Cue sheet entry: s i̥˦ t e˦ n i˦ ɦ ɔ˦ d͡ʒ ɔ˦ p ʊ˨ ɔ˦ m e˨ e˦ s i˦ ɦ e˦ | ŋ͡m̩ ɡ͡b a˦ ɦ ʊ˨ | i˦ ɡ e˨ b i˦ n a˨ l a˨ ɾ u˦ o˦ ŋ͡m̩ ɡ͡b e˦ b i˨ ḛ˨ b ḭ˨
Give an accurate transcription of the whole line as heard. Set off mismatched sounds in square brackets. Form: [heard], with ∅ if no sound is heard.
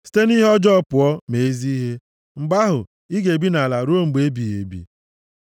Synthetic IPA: s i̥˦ t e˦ n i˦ ɦ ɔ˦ d͡ʒ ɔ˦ p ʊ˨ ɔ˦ m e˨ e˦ [z] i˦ ɦ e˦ | ŋ͡m̩ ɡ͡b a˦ ɦ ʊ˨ | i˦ ɡ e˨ b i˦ n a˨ l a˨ ɾ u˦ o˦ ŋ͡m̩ ɡ͡b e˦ b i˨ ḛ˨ b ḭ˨